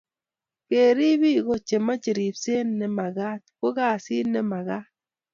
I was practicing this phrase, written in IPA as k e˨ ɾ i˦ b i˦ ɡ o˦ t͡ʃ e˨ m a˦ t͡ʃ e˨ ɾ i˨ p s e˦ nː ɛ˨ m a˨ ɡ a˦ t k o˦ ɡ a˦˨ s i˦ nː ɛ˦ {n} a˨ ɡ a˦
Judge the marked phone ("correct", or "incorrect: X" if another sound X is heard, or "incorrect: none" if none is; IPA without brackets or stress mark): incorrect: m